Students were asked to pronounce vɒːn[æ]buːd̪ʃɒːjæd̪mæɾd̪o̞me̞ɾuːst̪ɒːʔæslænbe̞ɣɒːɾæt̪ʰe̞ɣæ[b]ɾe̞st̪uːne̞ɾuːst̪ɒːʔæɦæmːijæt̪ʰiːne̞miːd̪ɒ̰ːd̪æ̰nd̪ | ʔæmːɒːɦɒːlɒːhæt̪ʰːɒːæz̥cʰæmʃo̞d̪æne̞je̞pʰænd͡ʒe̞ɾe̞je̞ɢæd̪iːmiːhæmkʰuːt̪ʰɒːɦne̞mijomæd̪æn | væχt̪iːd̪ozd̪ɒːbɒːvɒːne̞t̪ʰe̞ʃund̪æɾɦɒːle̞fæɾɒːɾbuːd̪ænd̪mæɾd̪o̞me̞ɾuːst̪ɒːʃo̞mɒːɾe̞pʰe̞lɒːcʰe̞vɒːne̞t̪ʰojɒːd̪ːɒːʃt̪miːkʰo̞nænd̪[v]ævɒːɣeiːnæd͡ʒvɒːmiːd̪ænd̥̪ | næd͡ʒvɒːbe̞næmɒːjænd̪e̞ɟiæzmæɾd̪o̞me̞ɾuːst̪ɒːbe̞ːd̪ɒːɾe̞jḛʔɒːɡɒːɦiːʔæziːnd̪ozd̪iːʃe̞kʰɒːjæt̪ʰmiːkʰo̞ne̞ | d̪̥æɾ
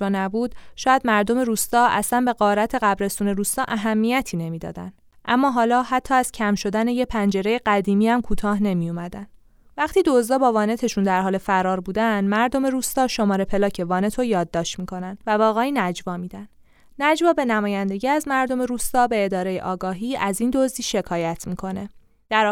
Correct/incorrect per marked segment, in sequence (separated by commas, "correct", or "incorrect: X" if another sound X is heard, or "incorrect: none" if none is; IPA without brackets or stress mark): correct, correct, correct